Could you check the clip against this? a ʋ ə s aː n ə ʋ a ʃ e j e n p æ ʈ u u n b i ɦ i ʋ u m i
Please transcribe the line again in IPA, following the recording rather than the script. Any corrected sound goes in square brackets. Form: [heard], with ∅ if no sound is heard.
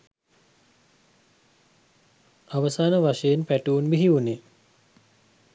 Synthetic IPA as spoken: a ʋ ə s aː n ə ʋ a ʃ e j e n p æ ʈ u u n b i ɦ i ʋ u [n] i